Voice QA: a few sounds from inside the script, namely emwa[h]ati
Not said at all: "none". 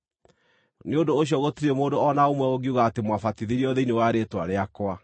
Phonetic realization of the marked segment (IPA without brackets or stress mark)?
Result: f